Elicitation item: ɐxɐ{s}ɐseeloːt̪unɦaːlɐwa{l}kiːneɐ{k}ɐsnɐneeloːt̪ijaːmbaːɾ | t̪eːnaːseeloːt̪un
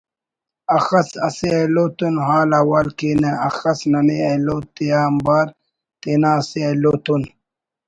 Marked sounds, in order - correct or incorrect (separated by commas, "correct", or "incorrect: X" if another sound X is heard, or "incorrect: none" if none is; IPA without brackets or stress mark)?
correct, correct, incorrect: x